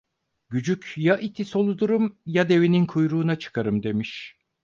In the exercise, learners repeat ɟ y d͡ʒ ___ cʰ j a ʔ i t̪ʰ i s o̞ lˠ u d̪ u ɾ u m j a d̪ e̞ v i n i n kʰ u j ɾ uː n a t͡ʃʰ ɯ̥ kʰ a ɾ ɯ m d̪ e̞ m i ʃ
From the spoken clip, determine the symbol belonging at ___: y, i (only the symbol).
y